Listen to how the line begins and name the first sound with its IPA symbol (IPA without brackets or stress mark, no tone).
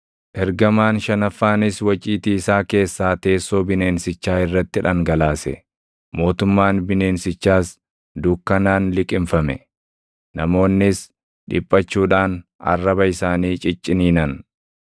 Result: ʔ